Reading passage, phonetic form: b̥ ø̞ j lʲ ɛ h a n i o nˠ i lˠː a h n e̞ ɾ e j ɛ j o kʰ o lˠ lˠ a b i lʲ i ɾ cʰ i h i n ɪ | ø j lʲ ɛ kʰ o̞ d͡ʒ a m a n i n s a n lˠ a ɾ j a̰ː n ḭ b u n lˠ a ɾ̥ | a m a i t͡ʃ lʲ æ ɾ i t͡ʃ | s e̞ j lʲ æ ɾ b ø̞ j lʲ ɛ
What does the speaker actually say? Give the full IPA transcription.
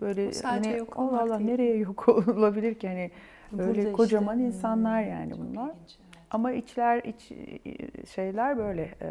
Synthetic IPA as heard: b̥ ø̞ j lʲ ɛ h a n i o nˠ a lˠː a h n e̞ ɾ e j ɛ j o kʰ o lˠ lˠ a b i lʲ i ɾ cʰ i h a n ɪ | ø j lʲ ɛ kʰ o̞ d͡ʒ a m a n i n s a n lˠ a ɾ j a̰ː n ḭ b u n lˠ a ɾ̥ | a m a i t͡ʃ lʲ æ ɾ i t͡ʃ | ʃ e̞ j lʲ æ ɾ b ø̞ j lʲ ɛ